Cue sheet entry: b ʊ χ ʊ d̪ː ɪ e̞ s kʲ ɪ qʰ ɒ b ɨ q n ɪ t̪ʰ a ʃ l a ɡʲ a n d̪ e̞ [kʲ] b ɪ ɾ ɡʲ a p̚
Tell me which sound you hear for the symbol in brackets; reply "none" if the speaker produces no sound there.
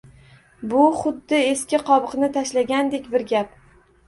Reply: kʲ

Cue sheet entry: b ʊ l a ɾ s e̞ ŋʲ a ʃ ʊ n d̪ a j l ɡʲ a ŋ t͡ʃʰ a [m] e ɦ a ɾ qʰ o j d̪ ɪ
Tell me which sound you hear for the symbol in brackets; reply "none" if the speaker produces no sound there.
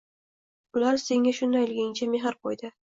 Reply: m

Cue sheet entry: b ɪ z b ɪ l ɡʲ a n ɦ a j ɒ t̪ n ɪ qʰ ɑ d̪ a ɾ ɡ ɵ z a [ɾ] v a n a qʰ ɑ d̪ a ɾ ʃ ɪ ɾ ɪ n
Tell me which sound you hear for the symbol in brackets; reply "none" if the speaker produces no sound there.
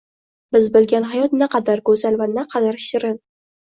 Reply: l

